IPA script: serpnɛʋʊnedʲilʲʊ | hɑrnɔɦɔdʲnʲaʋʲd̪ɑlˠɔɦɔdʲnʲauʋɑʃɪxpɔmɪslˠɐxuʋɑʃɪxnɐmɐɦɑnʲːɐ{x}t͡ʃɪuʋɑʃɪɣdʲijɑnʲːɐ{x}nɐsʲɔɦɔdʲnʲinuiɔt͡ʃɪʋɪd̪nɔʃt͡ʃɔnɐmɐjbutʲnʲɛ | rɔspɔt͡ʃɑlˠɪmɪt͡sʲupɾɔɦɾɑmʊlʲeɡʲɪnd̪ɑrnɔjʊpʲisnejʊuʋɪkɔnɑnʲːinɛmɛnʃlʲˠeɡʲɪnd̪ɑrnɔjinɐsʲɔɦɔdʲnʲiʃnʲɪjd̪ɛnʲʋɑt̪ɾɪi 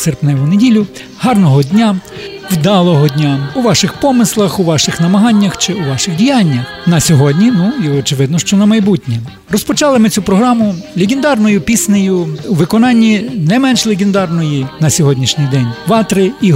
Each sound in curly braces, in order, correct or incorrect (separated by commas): correct, correct